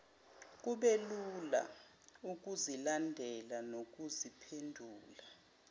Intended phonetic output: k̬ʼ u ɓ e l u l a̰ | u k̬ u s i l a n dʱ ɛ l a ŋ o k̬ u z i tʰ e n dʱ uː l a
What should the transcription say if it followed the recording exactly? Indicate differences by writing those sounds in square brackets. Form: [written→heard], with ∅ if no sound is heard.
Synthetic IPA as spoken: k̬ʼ u ɓ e l u l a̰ | u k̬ u [s→z] i l a n dʱ ɛ l a [ŋ→n] o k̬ u z i [tʰ→pʰ] e n dʱ uː l a